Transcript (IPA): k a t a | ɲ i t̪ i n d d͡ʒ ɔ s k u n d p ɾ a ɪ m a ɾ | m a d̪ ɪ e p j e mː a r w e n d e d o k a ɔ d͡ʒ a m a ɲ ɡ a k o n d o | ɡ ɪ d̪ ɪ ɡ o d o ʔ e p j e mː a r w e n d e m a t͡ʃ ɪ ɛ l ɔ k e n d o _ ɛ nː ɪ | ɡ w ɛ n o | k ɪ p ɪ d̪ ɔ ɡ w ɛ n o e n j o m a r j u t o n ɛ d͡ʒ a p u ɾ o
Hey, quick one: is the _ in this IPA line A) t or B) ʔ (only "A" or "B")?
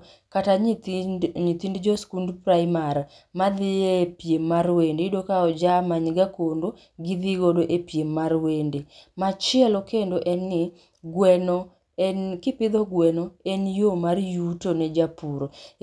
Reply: B